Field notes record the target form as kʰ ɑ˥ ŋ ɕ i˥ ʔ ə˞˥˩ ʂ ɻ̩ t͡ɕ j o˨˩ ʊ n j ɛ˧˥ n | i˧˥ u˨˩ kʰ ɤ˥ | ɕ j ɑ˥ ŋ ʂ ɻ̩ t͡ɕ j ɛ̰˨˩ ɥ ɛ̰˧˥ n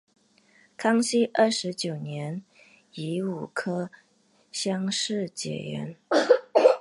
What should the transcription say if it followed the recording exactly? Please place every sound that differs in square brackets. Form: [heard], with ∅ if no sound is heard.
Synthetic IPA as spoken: kʰ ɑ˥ ŋ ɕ i˥ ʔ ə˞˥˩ ʂ ɻ̩ t͡ɕ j o˨˩ ʊ n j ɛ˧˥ n | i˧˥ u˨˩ kʰ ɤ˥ | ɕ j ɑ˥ ŋ ʂ ɻ̩ t͡ɕ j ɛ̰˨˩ ɥ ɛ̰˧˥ n